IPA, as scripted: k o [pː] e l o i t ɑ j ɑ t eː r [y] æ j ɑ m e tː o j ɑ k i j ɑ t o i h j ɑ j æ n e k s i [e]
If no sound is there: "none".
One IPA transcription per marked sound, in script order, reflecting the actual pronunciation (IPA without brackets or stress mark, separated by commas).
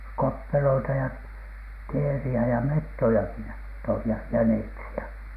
pː, i, æ